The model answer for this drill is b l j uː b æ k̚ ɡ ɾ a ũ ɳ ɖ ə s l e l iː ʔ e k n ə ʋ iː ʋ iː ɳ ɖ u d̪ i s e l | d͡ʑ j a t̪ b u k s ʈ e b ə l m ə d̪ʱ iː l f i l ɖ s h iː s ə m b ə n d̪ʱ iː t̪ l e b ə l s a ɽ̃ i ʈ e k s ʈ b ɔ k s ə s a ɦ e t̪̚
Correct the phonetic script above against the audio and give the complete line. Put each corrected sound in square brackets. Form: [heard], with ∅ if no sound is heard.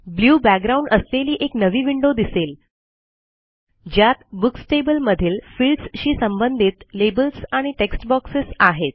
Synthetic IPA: b l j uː b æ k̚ ɡ ɾ a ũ ɳ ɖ ə s l e l iː ʔ e k n ə ʋ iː ʋ [i] ɳ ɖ [o] d̪ i s e l | d͡ʑ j a t̪ b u k s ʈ e b ə l m ə d̪ʱ iː l f i l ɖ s [ɕ] iː s ə m b ə n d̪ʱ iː t̪ l e b ə l s a ɽ̃ i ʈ e k s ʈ b ɔ k s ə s a ɦ e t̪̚

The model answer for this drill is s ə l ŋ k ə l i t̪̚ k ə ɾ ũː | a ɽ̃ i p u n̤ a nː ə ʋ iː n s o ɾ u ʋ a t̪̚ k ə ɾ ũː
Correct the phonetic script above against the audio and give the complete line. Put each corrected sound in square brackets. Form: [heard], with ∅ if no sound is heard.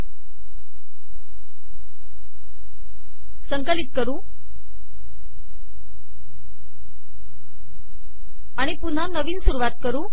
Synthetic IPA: s ə [∅] ŋ k ə l i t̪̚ k ə ɾ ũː | a ɽ̃ i p u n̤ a [n] ə ʋ iː n s [u] ɾ u ʋ a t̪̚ k ə ɾ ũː

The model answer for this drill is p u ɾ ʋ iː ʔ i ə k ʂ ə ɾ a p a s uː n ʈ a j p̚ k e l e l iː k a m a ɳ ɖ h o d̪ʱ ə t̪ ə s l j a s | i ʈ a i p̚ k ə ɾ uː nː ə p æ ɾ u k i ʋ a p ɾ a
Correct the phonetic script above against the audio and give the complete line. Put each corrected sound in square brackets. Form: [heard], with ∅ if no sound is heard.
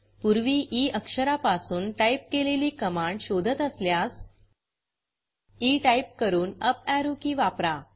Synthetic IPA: p u ɾ ʋ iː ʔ i ə k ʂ ə ɾ a p a s uː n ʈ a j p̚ k e l e l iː k [ə] m a ɳ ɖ [ɕ] o d̪ʱ ə t̪ ə s l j a s | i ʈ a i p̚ k ə ɾ uː [n] ə p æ ɾ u k i ʋ a p ɾ a

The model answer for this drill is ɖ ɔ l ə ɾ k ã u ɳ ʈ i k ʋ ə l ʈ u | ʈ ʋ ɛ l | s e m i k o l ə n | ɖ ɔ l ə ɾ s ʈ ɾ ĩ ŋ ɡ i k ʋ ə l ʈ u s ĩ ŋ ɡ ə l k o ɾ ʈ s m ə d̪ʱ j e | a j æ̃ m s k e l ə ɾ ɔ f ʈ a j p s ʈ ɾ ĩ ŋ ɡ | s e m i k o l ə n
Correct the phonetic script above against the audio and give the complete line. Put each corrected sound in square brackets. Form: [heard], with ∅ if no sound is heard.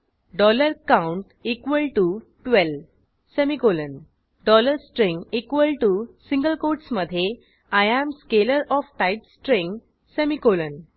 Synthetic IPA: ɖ ɔ l ə ɾ k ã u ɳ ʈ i k ʋ ə l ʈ u | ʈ ʋ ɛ l | s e m i k o l ə n | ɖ ɔ l ə ɾ s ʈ ɾ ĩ ŋ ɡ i k ʋ ə l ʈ u s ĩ ŋ ɡ ə l k o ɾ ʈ s m ə d̪ʱ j e | a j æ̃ m s k e l ə ɾ ɔ f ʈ a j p s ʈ ɾ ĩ ŋ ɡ | s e m i k o l ə n

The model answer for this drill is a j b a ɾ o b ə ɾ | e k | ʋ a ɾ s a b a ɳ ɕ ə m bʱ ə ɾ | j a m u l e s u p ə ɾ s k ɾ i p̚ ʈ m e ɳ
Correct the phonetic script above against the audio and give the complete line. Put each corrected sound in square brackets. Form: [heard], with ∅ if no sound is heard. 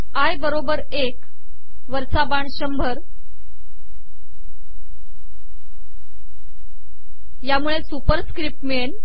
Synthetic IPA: a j b [ə] ɾ o b ə ɾ | e k | ʋ [ə] ɾ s a b a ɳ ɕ ə m bʱ ə ɾ | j a m u [ɭ] e s u p ə ɾ s k ɾ i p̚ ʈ m e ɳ

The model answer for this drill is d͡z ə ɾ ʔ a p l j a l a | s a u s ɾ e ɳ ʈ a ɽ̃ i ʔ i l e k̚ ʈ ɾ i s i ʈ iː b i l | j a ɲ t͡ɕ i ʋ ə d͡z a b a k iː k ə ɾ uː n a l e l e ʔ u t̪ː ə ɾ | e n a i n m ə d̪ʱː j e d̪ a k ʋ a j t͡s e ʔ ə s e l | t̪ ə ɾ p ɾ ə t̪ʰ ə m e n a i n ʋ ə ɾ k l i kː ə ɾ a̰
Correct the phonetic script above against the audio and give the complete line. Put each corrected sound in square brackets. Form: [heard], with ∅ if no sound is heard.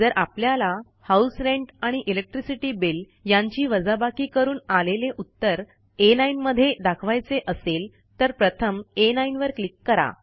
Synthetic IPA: d͡z ə ɾ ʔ a p l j a l a | [h] a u s ɾ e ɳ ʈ a ɽ̃ i ʔ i l e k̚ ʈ ɾ i s i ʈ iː b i l | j a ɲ t͡ɕ [iː] ʋ ə d͡z a b a k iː k ə ɾ uː n a l e l e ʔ u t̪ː ə ɾ | e n a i n m ə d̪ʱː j e d̪ a [kʰ] ʋ a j t͡s e ʔ ə s e l | t̪ ə ɾ p ɾ ə t̪ʰ ə m e n a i n ʋ ə ɾ k l i kː ə ɾ a̰

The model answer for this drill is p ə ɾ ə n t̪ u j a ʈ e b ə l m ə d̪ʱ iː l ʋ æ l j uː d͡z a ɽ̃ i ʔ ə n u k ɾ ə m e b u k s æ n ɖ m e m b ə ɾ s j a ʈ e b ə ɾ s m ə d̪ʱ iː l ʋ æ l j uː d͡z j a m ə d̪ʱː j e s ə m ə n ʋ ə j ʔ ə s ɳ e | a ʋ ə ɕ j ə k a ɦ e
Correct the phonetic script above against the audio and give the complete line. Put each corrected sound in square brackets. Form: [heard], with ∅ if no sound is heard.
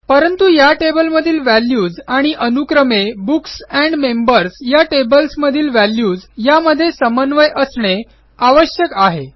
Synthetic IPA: p ə ɾ ə n t̪ u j a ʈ e b ə l m ə d̪ʱ iː l ʋ æ l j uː d͡z a ɽ̃ i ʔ ə n u k ɾ ə m e b u k s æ [ɳ] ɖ m e m b ə ɾ s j a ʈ e b ə [l] s m ə d̪ʱ iː l ʋ æ l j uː d͡z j a m ə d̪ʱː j e s ə m ə n ʋ ə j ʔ ə s ɳ e | a ʋ ə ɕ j ə k a ɦ e

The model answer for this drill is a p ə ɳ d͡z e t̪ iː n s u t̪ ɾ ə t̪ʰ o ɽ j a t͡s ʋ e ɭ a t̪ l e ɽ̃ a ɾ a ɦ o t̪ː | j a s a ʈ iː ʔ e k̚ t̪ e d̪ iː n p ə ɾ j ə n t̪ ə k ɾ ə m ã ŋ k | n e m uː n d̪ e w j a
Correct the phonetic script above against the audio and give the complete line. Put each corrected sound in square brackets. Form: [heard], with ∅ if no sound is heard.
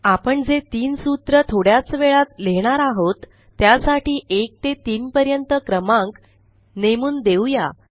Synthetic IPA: a p ə ɳ d͡z e t̪ iː n s u t̪ ɾ ə t̪ʰ o ɽ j a t͡s ʋ e ɭ a t̪ l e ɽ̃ a ɾ a ɦ o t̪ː | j a s a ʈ iː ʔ e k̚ t̪ e [t̪] iː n p ə ɾ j ə n t̪ ə k ɾ ə m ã ŋ k | n e m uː n d̪ e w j a

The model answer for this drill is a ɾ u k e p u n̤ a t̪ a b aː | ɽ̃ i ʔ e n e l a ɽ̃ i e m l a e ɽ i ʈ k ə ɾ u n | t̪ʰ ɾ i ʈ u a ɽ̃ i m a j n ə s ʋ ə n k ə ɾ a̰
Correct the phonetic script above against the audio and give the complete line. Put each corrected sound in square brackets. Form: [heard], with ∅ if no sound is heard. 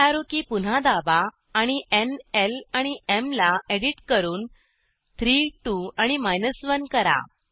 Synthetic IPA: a ɾ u k [i] p u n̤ a [d̪] a b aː | ɽ̃ i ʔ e n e l a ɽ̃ i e m l a e ɽ i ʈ k ə ɾ [uː] n | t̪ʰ ɾ i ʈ u a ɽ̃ i m a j n ə s ʋ ə n k ə ɾ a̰

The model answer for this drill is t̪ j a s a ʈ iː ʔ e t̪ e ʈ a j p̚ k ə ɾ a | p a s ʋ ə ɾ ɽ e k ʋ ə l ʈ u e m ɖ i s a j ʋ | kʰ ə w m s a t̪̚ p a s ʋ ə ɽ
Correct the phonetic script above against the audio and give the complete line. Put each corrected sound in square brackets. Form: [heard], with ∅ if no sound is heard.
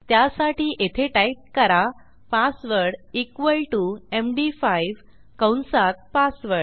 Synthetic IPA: t̪ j a s a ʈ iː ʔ e [t̪ʰ] e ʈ a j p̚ k ə ɾ a | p a s ʋ ə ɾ ɽ [i] k ʋ ə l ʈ u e m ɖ i [f] a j ʋ | [k] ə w [n] s a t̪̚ p a s ʋ ə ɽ

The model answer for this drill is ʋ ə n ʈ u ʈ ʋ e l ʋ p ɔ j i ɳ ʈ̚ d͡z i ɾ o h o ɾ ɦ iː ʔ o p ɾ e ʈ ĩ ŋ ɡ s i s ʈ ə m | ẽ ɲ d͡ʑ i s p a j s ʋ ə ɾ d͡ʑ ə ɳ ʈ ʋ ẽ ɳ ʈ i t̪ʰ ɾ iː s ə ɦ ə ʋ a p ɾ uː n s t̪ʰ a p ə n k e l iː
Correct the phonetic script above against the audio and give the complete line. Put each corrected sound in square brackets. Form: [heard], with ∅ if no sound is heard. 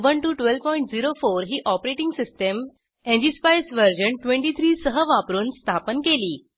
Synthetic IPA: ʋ ə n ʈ u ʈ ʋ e l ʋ p ɔ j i ɳ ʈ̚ d͡z i ɾ o [f] o ɾ ɦ iː ʔ [ɔ] p ɾ e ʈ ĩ ŋ ɡ s i s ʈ ə m | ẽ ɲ d͡ʑ i s p a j s ʋ ə ɾ d͡ʑ ə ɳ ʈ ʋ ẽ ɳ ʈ i t̪ʰ ɾ iː s ə ɦ ə ʋ a p ɾ uː n s t̪ʰ a p ə n k e l iː

